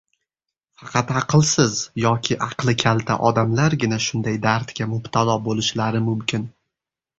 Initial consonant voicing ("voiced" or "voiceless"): voiceless